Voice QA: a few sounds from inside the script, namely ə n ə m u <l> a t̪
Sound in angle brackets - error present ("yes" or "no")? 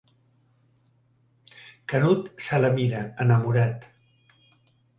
yes